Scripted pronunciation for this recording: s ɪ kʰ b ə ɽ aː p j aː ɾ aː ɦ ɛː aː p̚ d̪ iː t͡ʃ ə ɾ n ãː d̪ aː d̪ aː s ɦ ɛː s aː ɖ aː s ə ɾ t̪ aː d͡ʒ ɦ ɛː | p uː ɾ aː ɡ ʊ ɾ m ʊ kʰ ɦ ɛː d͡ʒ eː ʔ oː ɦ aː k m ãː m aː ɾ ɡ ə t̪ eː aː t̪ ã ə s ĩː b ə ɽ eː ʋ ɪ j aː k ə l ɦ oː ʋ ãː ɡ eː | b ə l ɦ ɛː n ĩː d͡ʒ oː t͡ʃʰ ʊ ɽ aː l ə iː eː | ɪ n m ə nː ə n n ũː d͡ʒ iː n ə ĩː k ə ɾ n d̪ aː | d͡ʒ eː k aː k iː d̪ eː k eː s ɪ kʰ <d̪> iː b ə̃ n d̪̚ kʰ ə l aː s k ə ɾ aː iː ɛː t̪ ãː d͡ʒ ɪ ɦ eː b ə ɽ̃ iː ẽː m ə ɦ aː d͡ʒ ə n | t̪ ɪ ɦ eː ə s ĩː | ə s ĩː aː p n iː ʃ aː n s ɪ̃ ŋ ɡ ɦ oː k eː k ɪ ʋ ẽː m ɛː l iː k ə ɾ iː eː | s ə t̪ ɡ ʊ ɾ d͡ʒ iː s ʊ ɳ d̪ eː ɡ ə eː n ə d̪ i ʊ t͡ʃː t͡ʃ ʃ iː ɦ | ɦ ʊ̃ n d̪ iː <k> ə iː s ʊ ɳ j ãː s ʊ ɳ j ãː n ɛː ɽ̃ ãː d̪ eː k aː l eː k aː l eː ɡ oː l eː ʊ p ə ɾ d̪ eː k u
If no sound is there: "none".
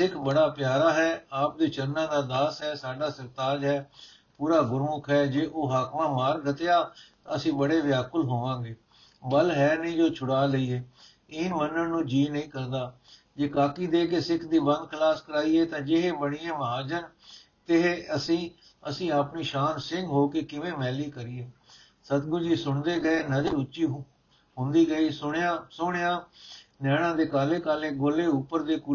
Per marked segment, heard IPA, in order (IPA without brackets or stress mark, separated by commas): d̪, ɡ